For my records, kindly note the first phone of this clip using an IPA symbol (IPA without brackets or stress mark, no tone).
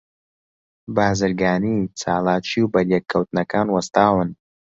b